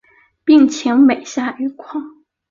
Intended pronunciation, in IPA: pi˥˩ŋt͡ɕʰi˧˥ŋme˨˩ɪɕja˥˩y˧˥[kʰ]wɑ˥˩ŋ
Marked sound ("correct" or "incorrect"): correct